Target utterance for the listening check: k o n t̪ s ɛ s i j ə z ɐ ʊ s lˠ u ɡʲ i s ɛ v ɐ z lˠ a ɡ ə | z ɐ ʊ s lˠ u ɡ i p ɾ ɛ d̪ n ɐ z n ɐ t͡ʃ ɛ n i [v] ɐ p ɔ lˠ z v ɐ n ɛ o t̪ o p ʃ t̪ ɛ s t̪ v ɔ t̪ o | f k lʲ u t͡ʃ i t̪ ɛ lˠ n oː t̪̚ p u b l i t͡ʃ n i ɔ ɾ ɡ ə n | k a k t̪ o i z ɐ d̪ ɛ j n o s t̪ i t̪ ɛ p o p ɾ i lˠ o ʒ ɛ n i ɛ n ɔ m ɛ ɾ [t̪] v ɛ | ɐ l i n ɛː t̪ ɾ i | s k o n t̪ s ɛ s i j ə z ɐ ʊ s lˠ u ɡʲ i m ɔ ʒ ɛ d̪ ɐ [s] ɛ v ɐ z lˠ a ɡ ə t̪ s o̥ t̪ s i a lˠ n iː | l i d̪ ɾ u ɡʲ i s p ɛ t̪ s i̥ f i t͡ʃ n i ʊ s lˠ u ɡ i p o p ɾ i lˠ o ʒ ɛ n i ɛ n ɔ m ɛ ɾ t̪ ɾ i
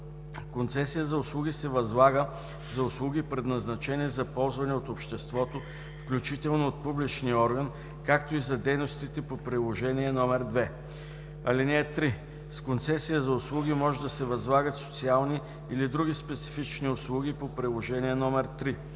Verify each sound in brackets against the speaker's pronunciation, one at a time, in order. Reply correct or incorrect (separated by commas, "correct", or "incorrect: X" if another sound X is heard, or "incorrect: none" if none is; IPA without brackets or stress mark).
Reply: incorrect: z, incorrect: d̪, correct